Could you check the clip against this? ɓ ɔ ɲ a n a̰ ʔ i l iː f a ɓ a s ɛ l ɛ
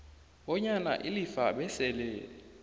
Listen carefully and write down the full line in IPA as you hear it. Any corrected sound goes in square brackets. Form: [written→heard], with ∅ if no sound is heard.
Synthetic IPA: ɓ ɔ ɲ a n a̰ ʔ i l [iː→i] f a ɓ [a→ɛ] s ɛ l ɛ